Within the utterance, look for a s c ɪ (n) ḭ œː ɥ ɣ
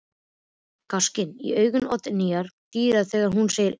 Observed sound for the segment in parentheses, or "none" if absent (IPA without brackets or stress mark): n